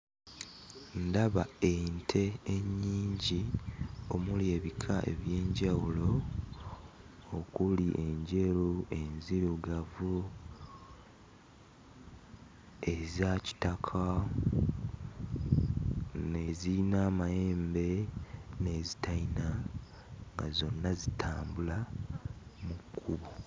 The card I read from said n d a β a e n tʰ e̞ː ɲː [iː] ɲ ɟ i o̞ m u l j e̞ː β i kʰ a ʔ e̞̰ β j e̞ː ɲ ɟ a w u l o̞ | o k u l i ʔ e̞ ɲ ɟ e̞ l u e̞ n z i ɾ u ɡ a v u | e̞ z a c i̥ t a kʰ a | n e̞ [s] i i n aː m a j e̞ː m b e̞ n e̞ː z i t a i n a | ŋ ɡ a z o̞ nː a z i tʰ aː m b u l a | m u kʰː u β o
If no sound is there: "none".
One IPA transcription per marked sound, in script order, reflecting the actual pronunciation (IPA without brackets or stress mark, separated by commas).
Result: iː, z